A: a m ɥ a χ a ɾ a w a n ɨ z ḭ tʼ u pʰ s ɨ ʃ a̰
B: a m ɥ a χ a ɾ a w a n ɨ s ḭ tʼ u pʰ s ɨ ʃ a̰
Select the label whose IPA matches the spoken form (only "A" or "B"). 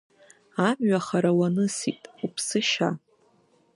B